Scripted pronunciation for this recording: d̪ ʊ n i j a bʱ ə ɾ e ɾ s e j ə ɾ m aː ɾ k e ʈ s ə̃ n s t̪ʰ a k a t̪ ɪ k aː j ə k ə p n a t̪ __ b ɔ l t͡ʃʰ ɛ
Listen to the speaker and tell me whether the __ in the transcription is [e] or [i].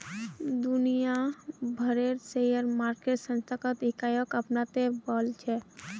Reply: e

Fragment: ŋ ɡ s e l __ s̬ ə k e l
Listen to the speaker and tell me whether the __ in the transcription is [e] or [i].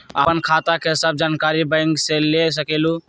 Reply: e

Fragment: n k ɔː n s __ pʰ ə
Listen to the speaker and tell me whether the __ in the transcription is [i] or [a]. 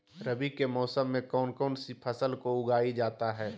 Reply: i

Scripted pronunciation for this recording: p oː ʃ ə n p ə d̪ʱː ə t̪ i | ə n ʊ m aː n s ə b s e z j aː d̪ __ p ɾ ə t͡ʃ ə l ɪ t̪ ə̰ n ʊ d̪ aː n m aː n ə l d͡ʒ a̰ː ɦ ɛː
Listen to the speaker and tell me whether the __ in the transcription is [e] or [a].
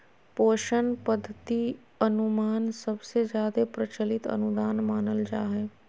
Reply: e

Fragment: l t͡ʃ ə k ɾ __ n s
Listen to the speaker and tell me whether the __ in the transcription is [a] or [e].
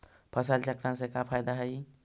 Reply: a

